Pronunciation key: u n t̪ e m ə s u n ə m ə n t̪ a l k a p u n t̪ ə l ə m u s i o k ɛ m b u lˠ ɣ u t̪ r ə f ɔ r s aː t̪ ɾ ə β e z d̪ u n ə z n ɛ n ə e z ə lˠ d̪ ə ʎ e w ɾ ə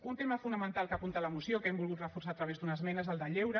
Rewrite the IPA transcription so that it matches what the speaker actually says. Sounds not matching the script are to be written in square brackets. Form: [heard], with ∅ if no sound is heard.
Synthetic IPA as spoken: u n t̪ e m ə [f] u n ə m ə n t̪ a l k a p u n t̪ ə l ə m u s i o k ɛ m b u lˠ ɣ u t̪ r ə f [u] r s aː t̪ ɾ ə β e z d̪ u n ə z [m] ɛ n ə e z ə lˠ d̪ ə ʎ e w ɾ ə